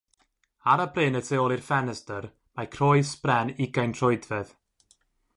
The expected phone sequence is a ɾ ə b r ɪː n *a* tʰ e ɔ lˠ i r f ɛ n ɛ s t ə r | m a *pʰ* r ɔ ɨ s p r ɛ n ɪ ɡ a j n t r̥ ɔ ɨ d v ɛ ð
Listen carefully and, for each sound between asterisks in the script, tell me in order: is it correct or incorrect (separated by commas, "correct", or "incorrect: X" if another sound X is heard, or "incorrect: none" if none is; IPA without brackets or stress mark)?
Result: incorrect: ə, incorrect: kʰ